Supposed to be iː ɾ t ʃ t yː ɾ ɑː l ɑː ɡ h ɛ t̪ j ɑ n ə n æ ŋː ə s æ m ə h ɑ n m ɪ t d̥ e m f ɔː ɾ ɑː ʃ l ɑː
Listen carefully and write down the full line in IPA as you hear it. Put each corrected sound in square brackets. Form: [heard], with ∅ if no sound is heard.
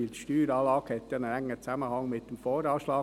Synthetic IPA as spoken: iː [l] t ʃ t yː ɾ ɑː l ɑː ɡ h ɛ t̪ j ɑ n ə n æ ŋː ə [t͡s] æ m ə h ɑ [ŋ] m ɪ t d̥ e m f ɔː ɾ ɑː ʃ l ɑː